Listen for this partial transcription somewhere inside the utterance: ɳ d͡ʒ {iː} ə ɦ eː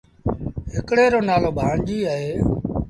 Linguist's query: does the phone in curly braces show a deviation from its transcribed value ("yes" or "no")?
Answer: no